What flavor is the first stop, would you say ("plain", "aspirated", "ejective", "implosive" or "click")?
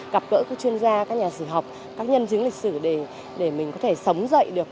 plain